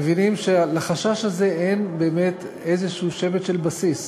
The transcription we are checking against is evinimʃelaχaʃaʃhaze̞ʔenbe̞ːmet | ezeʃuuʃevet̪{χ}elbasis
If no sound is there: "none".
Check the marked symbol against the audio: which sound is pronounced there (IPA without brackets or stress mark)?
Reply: ʃ